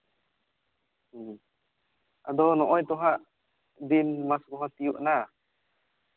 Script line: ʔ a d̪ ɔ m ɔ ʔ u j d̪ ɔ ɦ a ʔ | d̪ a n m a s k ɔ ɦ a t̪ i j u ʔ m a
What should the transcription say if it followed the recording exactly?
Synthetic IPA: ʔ a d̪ ɔ n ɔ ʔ ɔ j t̪ ɔ ɦ a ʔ | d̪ i n m a s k ɔ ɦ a t̪ i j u ʔ n a